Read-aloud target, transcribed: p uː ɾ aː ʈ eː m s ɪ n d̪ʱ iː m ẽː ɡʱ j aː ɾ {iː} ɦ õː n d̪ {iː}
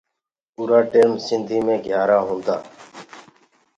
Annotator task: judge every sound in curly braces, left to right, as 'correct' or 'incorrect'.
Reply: incorrect: aː, incorrect: aː

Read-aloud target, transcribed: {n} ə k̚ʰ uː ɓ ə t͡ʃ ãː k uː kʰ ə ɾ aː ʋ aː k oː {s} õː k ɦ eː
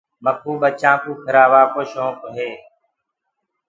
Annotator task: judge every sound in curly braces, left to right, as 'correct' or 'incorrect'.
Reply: incorrect: m, incorrect: ʃ

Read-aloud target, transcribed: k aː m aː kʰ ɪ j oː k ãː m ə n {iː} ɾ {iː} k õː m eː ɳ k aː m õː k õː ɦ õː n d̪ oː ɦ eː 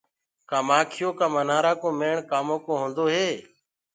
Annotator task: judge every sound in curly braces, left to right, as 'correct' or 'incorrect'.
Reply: incorrect: aː, incorrect: aː

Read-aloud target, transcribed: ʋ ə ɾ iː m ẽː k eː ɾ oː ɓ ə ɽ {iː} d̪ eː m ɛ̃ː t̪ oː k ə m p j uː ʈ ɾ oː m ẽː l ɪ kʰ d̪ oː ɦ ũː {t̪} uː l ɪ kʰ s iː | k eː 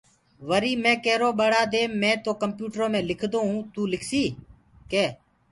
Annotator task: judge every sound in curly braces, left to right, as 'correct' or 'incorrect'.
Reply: incorrect: aː, correct

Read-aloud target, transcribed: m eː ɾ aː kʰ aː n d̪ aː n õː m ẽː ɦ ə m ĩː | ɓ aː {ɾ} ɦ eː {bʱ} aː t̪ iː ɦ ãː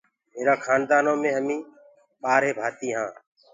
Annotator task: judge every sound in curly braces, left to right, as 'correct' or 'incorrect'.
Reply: correct, correct

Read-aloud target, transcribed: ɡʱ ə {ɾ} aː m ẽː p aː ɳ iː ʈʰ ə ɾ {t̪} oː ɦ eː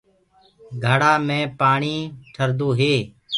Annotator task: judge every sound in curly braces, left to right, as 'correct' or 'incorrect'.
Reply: incorrect: ɽ, incorrect: d̪

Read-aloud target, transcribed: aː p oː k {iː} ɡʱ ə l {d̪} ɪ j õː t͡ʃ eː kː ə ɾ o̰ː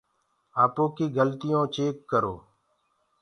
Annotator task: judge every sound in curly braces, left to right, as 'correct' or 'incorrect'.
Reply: correct, incorrect: t̪

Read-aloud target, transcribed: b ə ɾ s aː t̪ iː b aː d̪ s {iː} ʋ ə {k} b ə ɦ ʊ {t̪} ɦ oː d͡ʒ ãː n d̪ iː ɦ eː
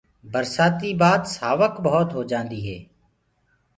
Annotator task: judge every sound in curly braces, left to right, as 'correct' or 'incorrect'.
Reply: incorrect: aː, correct, correct

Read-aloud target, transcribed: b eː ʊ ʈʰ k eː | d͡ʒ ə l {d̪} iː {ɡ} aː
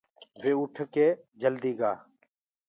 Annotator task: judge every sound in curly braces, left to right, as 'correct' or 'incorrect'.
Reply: correct, correct

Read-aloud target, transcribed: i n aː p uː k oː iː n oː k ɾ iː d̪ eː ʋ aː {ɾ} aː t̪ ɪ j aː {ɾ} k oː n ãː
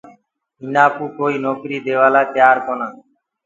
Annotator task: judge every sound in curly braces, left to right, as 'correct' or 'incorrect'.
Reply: incorrect: l, correct

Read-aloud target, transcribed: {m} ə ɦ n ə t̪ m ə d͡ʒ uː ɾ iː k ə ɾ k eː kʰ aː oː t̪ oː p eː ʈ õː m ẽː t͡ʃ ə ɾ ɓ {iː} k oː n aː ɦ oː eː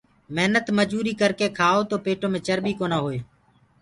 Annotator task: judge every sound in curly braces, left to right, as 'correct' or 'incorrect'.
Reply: correct, correct

